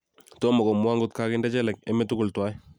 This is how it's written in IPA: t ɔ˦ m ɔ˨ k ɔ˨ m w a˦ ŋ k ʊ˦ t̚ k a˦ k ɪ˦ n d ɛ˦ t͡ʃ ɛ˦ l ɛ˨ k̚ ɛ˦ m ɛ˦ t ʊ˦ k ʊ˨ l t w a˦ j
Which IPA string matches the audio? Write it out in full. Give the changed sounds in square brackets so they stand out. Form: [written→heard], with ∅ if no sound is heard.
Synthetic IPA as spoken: t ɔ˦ m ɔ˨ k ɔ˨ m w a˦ ŋ [k→ɡ] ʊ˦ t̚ k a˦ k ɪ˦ n d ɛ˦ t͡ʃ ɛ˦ l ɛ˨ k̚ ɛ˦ m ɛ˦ t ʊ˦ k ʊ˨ l t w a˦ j